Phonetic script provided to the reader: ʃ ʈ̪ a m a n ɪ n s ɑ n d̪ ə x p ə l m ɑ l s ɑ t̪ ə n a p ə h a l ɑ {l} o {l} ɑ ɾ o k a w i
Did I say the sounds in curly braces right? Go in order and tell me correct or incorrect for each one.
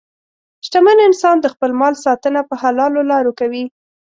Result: correct, correct

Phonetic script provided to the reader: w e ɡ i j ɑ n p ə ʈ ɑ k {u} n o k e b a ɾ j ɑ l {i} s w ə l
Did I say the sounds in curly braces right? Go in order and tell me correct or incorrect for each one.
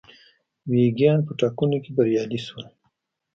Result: correct, correct

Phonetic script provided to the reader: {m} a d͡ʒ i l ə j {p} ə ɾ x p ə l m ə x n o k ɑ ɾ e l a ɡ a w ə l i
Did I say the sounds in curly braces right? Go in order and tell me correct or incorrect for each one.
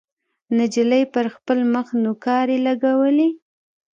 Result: incorrect, correct

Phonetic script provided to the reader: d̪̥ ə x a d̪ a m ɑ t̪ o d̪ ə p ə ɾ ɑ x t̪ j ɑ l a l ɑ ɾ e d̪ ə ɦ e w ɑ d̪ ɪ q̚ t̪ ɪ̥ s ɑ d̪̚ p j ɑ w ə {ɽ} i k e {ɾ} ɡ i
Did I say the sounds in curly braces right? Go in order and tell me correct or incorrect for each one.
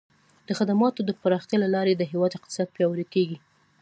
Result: incorrect, incorrect

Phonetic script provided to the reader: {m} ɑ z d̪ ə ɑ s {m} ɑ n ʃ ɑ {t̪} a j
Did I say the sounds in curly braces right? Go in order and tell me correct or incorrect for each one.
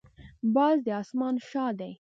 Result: incorrect, correct, incorrect

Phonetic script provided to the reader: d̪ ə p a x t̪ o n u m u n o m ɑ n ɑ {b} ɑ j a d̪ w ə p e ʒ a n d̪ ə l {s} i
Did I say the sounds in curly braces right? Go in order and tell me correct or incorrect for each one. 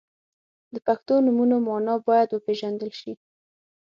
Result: correct, incorrect

